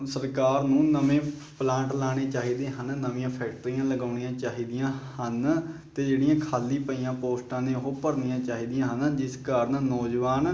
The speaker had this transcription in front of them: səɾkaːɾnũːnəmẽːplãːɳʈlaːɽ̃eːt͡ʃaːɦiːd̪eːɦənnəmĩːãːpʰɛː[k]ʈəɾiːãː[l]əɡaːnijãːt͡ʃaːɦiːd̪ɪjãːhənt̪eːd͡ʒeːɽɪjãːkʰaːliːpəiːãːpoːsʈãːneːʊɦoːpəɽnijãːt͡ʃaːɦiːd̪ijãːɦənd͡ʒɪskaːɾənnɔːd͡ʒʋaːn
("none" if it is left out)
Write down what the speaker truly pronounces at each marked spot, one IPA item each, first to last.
k, l

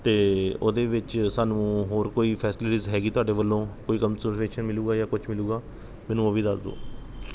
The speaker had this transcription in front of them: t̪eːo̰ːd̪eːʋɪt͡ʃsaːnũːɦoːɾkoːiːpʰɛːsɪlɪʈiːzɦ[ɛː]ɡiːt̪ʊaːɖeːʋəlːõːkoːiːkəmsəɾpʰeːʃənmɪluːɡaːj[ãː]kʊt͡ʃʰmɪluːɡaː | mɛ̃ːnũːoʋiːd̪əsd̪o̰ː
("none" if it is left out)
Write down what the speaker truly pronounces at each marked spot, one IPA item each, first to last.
ɛː, aː

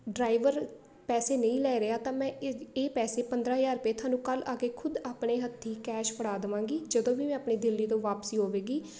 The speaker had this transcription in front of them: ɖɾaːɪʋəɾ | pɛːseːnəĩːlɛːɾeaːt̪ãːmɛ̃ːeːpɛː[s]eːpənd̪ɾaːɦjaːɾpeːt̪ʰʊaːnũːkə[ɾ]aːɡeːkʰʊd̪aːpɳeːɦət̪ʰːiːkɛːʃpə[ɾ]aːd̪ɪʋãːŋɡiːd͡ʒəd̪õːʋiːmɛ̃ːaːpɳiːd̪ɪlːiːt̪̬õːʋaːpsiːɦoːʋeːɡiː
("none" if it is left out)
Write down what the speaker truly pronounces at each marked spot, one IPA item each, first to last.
s, l, ɽ

